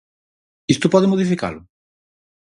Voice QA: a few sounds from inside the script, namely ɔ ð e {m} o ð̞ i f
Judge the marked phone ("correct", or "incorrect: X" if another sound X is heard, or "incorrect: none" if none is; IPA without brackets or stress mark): correct